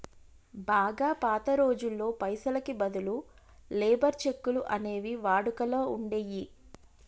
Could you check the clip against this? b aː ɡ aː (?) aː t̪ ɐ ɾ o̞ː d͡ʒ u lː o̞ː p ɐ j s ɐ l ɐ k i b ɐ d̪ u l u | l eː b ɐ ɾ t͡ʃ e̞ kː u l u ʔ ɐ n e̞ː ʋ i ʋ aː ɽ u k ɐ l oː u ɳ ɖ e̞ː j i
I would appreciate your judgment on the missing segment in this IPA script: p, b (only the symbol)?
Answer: p